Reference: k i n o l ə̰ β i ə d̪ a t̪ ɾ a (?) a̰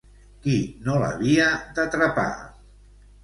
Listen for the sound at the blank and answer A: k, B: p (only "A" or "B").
B